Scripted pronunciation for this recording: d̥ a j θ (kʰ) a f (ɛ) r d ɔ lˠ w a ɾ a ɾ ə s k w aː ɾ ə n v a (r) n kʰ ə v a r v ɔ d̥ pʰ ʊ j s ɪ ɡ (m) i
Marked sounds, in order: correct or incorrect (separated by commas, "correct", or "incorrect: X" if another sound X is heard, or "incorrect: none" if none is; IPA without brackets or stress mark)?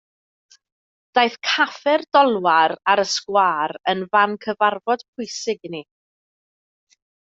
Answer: correct, correct, incorrect: none, incorrect: n